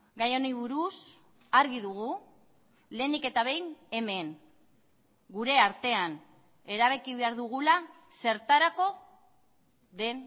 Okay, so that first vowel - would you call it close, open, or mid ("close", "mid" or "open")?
open